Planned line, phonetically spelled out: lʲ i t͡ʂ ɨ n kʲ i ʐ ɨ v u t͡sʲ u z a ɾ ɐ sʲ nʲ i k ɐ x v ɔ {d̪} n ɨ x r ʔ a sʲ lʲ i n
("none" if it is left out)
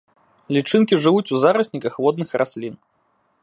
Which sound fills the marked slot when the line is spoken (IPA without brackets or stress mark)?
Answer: d̪